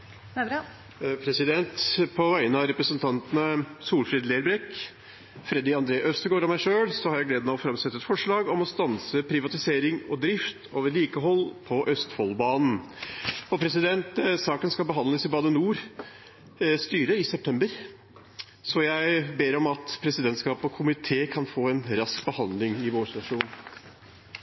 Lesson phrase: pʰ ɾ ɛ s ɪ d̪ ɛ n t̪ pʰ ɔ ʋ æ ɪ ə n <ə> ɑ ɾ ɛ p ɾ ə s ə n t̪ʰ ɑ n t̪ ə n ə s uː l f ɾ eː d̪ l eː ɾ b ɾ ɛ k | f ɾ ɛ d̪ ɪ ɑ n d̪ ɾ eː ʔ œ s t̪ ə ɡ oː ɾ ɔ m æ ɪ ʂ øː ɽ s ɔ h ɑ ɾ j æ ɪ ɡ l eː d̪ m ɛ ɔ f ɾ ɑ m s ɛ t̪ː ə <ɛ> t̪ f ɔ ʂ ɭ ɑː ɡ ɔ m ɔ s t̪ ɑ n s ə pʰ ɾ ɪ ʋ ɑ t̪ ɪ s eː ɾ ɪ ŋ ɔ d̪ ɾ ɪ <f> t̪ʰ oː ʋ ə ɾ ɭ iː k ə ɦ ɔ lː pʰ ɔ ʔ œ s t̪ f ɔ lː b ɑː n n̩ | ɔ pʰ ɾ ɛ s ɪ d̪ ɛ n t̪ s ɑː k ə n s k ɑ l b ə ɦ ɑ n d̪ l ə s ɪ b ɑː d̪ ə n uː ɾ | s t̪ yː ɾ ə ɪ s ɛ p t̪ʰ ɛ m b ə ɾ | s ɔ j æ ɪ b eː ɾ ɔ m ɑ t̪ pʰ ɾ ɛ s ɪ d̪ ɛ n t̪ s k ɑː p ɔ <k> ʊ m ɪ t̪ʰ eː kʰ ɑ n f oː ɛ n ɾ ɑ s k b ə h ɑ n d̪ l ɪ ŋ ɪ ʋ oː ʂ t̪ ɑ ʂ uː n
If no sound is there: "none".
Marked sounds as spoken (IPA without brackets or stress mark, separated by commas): ə, ɛ, f, kʰ